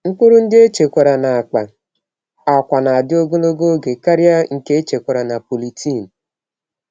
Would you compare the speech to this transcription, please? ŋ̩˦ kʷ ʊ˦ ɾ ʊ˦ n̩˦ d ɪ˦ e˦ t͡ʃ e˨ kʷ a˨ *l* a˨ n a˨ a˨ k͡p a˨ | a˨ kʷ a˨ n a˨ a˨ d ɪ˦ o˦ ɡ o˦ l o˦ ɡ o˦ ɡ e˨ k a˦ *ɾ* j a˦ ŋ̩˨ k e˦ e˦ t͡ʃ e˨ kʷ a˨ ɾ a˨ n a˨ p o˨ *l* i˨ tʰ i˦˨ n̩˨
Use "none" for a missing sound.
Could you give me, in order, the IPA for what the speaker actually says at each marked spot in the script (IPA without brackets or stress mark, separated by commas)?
ɾ, ɾ, l